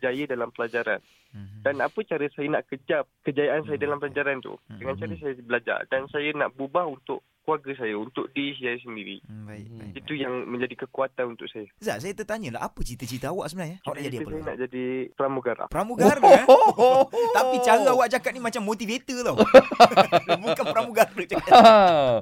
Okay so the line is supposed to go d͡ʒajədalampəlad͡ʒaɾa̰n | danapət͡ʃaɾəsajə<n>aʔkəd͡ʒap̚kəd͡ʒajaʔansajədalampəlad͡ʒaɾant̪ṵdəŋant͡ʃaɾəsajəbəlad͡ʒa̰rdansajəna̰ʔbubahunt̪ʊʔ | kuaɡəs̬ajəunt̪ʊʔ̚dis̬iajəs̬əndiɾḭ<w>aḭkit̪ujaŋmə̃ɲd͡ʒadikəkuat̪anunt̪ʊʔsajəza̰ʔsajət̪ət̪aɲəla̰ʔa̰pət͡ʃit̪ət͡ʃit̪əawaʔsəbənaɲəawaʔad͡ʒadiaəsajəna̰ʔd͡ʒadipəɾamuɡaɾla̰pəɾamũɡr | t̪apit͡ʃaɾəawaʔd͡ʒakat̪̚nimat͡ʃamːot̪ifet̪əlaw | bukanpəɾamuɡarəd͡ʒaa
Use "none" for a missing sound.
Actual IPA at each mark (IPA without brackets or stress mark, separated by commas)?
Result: n, b